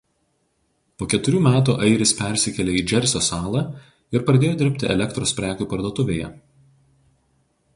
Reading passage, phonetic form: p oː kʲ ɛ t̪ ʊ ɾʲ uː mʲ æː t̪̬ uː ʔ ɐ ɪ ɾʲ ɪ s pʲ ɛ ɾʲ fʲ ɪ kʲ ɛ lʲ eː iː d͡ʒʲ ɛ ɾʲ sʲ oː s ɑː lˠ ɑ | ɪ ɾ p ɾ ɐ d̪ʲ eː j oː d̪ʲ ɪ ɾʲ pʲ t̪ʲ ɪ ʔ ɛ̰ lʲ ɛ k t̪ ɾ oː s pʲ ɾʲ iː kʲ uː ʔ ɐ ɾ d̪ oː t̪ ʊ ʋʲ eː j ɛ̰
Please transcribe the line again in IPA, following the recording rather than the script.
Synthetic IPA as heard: p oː kʲ ɛ t̪ ʊ ɾʲ uː mʲ æː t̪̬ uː ʔ ɐ ɪ ɾʲ ɪ s pʲ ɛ ɾʲ sʲ ɪ kʲ ɛ lʲ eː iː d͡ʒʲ ɛ ɾʲ sʲ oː s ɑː lˠ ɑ | ɪ ɾ p ɾ ɐ d̪ʲ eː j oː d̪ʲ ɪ ɾʲ pʲ t̪ʲ ɪ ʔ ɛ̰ lʲ ɛ k t̪ ɾ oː s pʲ ɾʲ æː kʲ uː p ɐ ɾ d̪ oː t̪ ʊ ʋʲ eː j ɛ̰